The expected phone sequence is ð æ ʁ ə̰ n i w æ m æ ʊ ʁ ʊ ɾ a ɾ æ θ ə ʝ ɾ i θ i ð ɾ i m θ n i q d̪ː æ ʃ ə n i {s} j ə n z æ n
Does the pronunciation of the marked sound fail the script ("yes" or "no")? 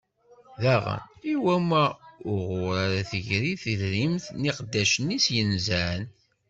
no